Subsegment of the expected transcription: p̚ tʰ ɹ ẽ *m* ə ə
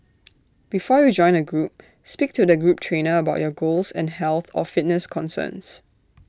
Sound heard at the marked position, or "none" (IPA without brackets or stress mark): n